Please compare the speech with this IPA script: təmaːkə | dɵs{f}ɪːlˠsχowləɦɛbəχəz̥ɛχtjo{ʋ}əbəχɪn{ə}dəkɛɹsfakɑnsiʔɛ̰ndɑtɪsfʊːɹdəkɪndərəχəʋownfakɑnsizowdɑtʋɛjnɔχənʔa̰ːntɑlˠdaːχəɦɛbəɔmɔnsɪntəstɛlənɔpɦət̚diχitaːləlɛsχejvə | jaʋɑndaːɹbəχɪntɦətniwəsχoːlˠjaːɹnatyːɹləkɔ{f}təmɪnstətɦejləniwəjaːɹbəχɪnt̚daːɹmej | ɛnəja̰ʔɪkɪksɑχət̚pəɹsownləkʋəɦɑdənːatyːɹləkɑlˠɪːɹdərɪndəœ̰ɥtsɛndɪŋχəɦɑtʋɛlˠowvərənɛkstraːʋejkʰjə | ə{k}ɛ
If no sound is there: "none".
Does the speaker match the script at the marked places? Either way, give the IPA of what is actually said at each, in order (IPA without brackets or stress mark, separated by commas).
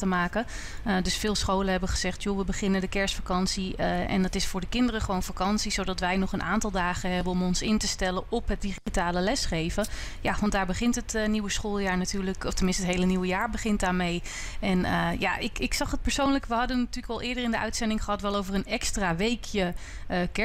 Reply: f, ʋ, ə, f, k